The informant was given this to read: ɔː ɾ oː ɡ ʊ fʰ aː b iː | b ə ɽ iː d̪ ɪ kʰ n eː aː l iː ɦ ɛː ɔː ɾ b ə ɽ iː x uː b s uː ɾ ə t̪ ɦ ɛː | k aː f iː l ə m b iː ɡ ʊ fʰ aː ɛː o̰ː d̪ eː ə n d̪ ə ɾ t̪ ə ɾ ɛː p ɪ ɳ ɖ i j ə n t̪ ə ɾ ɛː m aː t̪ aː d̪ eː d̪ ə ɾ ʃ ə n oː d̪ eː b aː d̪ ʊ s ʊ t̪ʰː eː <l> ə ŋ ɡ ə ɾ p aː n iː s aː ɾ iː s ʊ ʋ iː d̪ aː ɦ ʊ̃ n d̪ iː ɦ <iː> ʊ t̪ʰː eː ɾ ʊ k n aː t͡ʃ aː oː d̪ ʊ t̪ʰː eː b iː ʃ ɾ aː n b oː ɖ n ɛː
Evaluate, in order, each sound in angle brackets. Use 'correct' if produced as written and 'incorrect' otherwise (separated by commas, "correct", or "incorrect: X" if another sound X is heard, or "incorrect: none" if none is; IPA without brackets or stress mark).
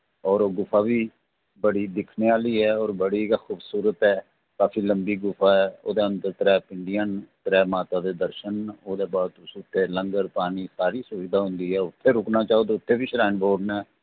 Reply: correct, incorrect: ɛː